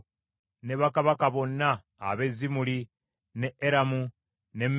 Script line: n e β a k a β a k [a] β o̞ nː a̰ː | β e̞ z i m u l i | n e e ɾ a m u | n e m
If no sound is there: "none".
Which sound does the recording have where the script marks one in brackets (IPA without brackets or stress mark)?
a